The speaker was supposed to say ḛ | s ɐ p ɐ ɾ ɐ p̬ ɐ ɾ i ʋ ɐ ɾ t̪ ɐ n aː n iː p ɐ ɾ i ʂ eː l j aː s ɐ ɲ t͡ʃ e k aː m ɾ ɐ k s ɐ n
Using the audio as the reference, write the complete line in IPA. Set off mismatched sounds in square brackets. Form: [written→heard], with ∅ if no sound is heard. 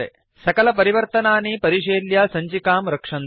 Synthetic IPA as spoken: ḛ | s ɐ [p→k] ɐ [ɾ→l] ɐ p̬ ɐ ɾ i ʋ ɐ ɾ t̪ ɐ n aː n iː p ɐ ɾ i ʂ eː l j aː s ɐ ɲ t͡ʃ [e→i] k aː m ɾ ɐ k [s→ʂ] ɐ n